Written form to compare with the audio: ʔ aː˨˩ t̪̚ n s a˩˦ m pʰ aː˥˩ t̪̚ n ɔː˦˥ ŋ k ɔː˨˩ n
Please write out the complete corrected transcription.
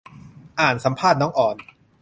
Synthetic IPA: ʔ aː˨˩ n s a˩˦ m pʰ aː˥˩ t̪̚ n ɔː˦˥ ŋ ʔ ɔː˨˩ n